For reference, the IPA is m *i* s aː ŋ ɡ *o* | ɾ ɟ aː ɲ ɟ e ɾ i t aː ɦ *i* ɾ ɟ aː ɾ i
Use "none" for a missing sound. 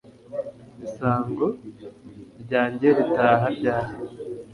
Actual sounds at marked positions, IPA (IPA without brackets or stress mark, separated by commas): i, o, a